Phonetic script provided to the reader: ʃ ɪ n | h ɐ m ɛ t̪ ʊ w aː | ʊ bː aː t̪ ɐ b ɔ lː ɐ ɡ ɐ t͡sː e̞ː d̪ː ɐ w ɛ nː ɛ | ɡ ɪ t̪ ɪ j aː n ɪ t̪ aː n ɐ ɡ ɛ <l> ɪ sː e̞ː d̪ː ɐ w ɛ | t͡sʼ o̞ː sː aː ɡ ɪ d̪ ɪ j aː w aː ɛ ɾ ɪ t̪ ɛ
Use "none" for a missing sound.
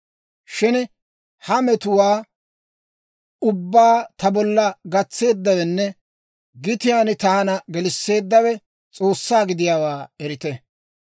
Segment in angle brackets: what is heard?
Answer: l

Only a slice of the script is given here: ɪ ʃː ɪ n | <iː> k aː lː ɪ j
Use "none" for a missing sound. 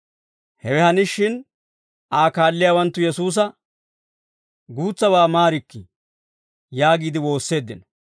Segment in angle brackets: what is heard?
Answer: aː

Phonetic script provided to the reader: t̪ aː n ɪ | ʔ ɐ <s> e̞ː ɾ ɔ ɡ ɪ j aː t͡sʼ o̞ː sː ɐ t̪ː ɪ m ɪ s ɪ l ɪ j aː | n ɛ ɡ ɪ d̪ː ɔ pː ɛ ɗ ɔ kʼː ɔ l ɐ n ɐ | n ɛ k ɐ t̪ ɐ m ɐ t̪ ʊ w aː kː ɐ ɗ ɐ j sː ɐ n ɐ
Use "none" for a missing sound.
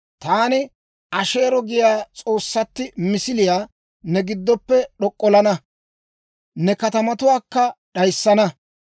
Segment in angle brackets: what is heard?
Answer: ʃ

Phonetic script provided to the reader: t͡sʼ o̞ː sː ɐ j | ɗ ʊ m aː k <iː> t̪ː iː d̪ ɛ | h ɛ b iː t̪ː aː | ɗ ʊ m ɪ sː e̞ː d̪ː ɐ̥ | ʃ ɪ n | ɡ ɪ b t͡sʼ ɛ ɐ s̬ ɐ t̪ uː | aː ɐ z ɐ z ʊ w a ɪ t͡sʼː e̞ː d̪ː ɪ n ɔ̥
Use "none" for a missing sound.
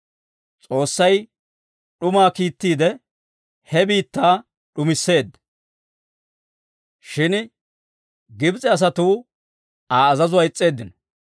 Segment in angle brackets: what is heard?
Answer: iː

